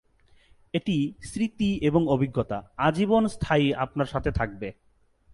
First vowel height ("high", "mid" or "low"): mid